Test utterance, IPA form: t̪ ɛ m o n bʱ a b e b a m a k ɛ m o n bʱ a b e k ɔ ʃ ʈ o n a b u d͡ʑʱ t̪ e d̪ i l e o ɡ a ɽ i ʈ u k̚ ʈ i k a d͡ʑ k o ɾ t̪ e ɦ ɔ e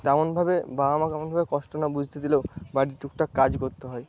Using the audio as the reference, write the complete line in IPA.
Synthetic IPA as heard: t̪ ɛ m o n bʱ a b e b a m a k ɛ m o n bʱ a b e k ɔ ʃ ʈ o n a b u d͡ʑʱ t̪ e d̪ i l e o b a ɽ i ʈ u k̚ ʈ a k a d͡ʑ k o ɾ t̪ e ɦ ɔ e

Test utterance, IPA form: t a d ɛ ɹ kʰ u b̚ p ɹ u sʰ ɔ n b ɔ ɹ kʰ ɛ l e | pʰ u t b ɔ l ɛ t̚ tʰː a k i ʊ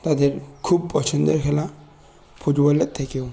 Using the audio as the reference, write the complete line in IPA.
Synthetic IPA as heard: t a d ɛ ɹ kʰ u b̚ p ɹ ɔ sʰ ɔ n d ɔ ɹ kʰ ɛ l a | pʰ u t b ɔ l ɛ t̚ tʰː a k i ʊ

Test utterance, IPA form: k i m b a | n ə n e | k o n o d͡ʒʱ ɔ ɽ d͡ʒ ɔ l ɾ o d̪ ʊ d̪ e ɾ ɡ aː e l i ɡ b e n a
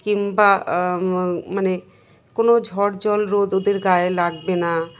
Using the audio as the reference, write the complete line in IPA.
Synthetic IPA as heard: k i m b a | m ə n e | k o n o d͡ʒʱ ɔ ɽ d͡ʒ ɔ l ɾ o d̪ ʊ d̪ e ɾ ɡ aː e l a ɡ b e n a

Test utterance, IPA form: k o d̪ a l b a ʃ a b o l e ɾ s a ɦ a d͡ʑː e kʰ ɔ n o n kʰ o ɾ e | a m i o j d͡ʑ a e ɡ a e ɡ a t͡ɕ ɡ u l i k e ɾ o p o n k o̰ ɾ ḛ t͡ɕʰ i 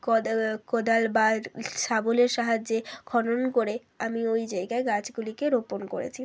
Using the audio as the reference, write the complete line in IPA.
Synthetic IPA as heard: k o d̪ a l b a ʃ a b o l e ɾ ʃ a ɦ a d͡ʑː e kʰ ɔ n o n k o ɾ e | a m i o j d͡ʑ a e ɡ a e ɡ a t͡ɕ ɡ u l i k e ɾ o p o n k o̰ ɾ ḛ t͡ɕʰ i

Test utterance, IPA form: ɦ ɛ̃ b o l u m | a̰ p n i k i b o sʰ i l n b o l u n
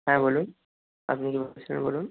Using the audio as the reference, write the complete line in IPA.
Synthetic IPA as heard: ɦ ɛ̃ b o l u n | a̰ p n i k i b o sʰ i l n b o l u n

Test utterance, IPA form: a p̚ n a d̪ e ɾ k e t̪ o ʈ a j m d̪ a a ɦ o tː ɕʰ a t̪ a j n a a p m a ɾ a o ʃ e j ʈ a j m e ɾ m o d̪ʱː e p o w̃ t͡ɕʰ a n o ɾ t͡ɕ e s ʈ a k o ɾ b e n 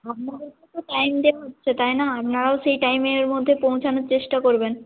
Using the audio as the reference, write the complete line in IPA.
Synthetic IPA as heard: a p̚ n a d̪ e ɾ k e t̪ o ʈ a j m d̪ e a ɦ o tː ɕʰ e t̪ a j n a a p n a ɾ a o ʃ e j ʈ a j m e ɾ m o d̪ʱː e p o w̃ t͡ɕʰ a n o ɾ t͡ɕ e ʃ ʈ a k o ɾ b e n

